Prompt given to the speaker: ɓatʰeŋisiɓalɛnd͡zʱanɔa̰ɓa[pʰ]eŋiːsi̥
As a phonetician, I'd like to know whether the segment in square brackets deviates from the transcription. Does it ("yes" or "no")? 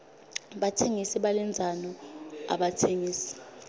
yes